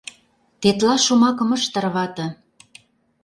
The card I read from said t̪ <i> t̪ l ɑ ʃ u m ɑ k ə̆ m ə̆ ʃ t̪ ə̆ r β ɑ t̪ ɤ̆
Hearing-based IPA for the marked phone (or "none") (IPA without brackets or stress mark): e